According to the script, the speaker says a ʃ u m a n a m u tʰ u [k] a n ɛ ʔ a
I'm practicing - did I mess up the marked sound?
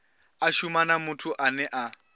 yes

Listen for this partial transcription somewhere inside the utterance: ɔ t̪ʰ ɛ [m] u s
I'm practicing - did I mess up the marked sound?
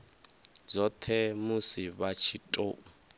no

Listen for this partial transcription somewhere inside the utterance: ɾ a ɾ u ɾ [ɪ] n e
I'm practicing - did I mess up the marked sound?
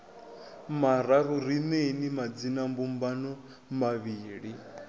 yes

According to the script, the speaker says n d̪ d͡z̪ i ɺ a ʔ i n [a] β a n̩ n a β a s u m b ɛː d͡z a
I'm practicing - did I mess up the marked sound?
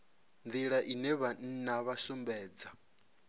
yes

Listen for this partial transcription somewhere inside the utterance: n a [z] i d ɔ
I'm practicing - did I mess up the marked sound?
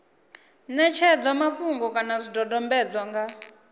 no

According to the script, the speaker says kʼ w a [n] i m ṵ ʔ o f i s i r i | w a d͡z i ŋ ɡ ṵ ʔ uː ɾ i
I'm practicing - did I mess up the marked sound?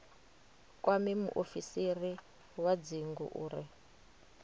yes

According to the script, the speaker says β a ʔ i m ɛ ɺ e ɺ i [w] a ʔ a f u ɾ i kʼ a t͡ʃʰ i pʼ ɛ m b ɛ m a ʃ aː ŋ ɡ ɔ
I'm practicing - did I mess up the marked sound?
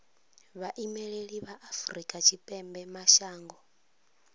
yes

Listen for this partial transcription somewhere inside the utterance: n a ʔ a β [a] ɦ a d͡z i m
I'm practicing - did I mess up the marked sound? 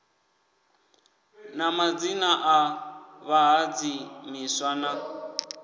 no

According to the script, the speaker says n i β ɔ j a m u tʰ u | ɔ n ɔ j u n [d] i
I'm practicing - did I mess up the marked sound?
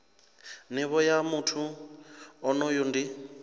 no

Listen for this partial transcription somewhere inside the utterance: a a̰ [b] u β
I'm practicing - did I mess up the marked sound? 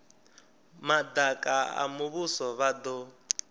yes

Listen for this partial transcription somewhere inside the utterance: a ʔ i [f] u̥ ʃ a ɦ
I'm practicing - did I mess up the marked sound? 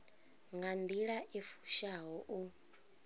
no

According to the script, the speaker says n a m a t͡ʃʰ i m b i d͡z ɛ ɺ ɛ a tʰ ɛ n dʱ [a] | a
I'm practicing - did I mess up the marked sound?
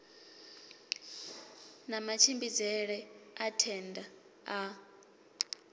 no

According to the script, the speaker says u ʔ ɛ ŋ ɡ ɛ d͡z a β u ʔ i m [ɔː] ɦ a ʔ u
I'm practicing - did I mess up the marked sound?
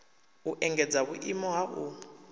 yes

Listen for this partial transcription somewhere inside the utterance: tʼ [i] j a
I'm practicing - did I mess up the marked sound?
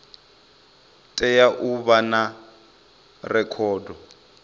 yes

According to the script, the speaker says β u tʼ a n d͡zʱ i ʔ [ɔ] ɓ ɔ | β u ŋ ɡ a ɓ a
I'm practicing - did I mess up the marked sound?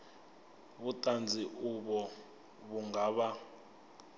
yes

